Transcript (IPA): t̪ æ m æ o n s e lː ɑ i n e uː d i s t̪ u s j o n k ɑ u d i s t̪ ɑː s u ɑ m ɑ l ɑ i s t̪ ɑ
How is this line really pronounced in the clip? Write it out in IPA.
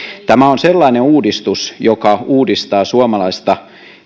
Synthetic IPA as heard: t̪ æ m æ o n s e lː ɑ i n e uː d i s t̪ u s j o k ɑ uː d i s t̪ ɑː s u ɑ m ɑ l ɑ i s t̪ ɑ